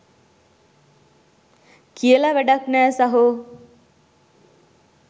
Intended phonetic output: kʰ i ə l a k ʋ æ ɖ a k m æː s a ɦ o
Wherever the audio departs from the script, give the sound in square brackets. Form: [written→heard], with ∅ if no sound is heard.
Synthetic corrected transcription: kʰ i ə l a [k→∅] ʋ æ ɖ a k [m→n] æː s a ɦ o